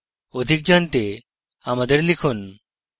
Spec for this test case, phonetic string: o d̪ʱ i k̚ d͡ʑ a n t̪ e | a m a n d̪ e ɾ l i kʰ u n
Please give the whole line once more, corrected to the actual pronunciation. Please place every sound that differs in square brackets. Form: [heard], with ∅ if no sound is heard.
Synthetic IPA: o d̪ʱ i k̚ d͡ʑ a n t̪ e | a m a [∅] d̪ e ɾ l i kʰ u n